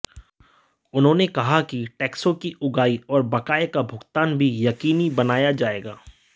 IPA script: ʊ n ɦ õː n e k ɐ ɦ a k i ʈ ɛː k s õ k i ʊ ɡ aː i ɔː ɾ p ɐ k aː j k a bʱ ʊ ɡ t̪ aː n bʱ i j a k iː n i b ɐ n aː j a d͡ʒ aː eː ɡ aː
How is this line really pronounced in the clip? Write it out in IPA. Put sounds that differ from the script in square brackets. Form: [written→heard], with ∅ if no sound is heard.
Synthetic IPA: ʊ n ɦ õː n e k ɐ ɦ a k i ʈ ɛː k s õ k i ʊ ɡ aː i ɔː ɾ [p→b] ɐ k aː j k a bʱ ʊ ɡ t̪ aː n bʱ i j [a→ɐ] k iː n i b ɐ n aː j a d͡ʒ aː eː ɡ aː